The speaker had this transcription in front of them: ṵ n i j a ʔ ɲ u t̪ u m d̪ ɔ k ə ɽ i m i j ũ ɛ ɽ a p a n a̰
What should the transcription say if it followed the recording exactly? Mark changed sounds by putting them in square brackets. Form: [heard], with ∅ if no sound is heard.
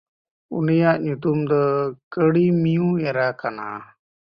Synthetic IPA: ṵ n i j a ʔ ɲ u t̪ u m d̪ ɔ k ə ɽ i m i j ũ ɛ [ɾ] a [k] a n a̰